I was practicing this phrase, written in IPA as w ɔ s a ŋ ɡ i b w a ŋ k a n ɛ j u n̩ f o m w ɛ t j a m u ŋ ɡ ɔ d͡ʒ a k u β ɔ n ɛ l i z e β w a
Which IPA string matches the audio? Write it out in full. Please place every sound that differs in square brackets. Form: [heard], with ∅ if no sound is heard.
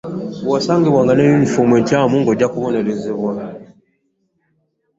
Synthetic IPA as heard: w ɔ s a ŋ ɡ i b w a ŋ [ɡ] a n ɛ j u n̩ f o m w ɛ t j a m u ŋ ɡ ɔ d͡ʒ a k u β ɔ n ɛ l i z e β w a